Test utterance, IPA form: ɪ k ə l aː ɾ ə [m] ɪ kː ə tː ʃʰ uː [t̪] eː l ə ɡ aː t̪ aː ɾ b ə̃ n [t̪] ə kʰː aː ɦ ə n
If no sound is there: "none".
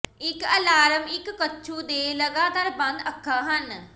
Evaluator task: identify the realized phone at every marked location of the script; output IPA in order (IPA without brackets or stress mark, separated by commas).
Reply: m, d̪, d̪